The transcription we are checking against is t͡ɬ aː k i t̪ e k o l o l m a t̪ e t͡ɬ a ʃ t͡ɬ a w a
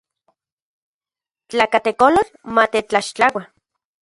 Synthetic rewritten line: t͡ɬ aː k a t̪ e k o l o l m a t̪ e t͡ɬ a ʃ t͡ɬ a w a